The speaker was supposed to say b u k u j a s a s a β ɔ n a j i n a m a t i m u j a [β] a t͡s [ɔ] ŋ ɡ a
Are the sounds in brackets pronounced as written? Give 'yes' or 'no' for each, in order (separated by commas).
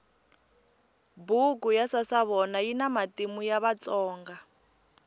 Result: yes, no